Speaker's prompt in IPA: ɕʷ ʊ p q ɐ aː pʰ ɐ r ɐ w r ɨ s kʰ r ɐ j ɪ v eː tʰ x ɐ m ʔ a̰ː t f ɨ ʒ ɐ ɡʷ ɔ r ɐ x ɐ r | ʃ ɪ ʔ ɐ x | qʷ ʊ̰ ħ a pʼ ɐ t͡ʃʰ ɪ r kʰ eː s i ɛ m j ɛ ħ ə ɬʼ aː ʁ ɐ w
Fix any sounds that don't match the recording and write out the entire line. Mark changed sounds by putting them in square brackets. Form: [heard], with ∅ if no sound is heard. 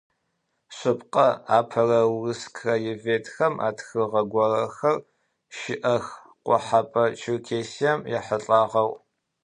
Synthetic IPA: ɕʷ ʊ p q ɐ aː pʰ ɐ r ɐ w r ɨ s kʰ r ɐ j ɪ v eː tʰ x ɐ m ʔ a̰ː t [x] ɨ [ʁ] ɐ ɡʷ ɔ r ɐ x ɐ r | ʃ ɪ ʔ ɐ x | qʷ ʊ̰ ħ a pʼ ɐ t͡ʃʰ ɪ r kʰ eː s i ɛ m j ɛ ħ ə ɬʼ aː ʁ ɐ w

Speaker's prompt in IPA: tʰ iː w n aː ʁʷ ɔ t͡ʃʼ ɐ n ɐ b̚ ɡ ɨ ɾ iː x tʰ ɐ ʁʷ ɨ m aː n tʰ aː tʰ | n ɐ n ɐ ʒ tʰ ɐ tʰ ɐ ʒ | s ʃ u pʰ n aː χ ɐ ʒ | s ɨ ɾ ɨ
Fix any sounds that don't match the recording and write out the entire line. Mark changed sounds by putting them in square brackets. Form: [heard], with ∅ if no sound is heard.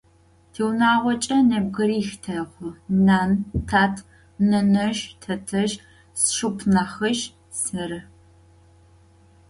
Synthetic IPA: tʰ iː w n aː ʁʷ ɔ t͡ʃʼ ɐ n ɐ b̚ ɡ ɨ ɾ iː x tʰ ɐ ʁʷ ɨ [n] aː n tʰ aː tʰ | n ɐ n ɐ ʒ tʰ ɐ tʰ ɐ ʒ | s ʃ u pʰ n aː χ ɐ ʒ | s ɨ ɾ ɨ

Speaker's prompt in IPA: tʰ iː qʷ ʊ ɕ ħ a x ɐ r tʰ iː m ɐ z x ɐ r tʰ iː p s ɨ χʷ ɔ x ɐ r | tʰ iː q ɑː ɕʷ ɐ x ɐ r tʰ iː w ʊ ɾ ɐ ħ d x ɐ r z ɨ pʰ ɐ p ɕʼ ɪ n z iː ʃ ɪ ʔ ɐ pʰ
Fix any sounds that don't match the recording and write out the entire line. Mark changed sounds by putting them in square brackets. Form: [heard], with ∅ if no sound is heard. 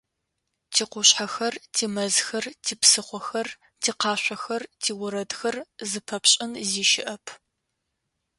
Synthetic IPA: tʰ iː qʷ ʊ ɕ ħ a x ɐ r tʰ iː m ɐ z x ɐ r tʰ iː p s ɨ χʷ ɔ x ɐ r | tʰ iː q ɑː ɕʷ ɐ x ɐ r tʰ iː w ʊ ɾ ɐ [∅] d x ɐ r z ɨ pʰ ɐ p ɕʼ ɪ n z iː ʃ ɪ ʔ ɐ pʰ

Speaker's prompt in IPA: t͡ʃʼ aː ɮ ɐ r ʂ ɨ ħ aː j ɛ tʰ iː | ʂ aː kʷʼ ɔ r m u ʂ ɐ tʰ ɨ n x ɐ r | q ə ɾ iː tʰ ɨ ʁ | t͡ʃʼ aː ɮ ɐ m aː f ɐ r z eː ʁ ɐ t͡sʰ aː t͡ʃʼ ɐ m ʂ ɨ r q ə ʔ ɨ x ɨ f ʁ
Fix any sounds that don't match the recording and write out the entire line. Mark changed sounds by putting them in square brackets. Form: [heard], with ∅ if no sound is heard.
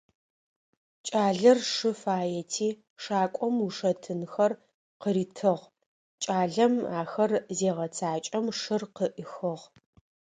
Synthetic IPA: t͡ʃʼ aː ɮ ɐ r ʂ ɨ [f] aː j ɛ tʰ iː | ʂ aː kʷʼ ɔ [∅] m u ʂ ɐ tʰ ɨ n x ɐ r | q ə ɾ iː tʰ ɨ ʁ | t͡ʃʼ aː ɮ ɐ m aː [x] ɐ r z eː ʁ ɐ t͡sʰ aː t͡ʃʼ ɐ m ʂ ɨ r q ə ʔ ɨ x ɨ [∅] ʁ

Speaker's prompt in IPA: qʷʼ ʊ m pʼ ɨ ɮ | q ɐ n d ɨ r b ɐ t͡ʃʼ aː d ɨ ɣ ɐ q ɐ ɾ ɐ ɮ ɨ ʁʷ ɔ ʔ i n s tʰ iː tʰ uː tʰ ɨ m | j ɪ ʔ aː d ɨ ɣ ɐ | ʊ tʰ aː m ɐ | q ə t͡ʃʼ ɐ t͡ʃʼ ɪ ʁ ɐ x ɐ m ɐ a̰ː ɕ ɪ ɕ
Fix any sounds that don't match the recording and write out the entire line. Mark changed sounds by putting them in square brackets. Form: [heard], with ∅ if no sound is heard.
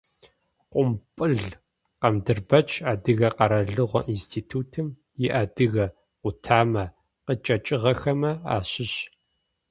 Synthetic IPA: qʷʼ ʊ m pʼ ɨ ɮ | q ɐ [m] d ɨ r b ɐ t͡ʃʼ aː d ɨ ɣ ɐ q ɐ ɾ ɐ ɮ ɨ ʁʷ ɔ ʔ i n s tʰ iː tʰ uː tʰ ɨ m | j ɪ ʔ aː d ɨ ɣ ɐ | ʊ tʰ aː m ɐ | q ə t͡ʃʼ ɐ t͡ʃʼ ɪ ʁ ɐ x ɐ m ɐ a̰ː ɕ ɪ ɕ

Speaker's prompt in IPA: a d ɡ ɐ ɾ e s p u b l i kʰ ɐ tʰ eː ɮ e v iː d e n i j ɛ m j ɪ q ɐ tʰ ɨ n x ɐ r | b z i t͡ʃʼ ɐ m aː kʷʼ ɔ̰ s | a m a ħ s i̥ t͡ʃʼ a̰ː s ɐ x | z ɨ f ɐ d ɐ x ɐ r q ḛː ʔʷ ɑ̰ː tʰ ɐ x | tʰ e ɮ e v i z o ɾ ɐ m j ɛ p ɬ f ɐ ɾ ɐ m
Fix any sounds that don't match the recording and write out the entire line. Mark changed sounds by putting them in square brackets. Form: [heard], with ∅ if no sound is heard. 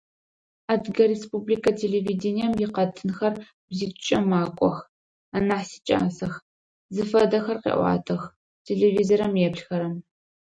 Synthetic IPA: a d ɡ ɐ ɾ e s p u b l i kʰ ɐ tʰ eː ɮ e v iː d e n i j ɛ m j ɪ q ɐ tʰ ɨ n x ɐ r | b z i t͡ʃʼ ɐ m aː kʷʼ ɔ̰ [x] | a [n] a ħ s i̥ t͡ʃʼ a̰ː s ɐ x | z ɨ f ɐ d ɐ x ɐ r q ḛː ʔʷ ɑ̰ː tʰ ɐ x | tʰ e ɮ e v i z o ɾ ɐ m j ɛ p ɬ [x] ɐ ɾ ɐ m

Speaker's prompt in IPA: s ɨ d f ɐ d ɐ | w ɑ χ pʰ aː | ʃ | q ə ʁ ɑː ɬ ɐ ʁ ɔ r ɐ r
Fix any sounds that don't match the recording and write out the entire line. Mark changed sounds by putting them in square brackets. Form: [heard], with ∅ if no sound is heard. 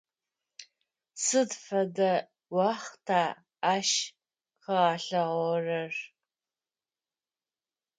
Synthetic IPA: s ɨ d f ɐ d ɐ | w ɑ χ [tʰ] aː | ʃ | q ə ʁ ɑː ɬ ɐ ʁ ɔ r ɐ r

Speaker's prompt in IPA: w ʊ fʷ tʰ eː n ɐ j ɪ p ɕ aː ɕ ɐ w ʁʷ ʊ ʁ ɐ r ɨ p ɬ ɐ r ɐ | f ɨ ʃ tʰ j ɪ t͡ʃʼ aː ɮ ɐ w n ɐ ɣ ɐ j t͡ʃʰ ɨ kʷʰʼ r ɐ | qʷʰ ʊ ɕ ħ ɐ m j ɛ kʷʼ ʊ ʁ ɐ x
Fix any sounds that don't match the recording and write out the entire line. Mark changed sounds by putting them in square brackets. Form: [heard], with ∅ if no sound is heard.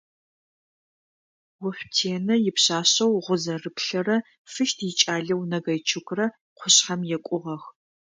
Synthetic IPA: w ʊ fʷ tʰ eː n ɐ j ɪ p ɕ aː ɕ ɐ w ʁʷ ʊ [z] ɐ r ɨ p ɬ ɐ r ɐ | f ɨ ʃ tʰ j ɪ t͡ʃʼ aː ɮ ɐ w n ɐ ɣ ɐ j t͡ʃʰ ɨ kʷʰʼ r ɐ | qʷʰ ʊ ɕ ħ ɐ m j ɛ kʷʼ ʊ ʁ ɐ x

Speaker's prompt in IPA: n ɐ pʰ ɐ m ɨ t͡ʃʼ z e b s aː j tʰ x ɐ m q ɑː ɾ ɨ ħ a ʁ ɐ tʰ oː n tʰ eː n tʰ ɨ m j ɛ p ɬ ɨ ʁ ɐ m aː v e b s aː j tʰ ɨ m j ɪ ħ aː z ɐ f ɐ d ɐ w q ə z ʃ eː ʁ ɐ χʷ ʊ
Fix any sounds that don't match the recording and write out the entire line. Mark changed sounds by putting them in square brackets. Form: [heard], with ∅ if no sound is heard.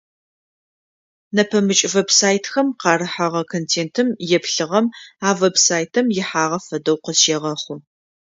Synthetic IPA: n ɐ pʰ ɐ m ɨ t͡ʃʼ [v] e b s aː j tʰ x ɐ m q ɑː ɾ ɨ ħ a ʁ ɐ [kʰ] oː n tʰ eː n tʰ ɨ m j ɛ p ɬ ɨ ʁ ɐ m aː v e b s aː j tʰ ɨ m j ɪ ħ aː [ʁ] ɐ f ɐ d ɐ w q ə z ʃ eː ʁ ɐ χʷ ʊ

